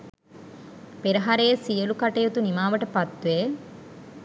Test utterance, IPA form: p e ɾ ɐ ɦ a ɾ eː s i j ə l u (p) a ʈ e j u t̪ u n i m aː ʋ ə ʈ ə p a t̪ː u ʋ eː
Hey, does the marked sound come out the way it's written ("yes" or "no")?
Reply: no